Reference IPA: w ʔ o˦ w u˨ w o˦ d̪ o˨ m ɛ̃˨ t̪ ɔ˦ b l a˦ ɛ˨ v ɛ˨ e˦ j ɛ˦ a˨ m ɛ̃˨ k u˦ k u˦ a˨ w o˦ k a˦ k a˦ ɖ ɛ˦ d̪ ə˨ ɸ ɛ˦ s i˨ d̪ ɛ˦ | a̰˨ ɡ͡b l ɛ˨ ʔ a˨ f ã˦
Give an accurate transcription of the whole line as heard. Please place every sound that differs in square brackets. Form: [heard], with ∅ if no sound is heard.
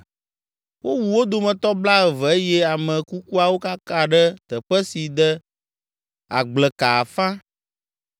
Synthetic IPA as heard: w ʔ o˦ w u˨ w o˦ d̪ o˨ m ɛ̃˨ t̪ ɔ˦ b l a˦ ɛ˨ v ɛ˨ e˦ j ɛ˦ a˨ m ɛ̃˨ k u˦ k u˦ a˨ w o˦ k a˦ k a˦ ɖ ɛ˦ [t̪] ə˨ ɸ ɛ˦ s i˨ d̪ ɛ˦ | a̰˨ ɡ͡b l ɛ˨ [k] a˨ f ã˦